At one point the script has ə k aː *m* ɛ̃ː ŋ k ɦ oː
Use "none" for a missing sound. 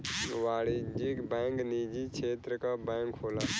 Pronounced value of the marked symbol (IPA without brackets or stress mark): b